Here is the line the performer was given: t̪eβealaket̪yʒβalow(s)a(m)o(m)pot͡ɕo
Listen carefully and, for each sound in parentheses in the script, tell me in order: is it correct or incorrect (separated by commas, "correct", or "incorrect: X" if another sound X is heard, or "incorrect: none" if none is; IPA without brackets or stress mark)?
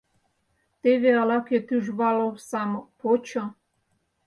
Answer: correct, correct, incorrect: none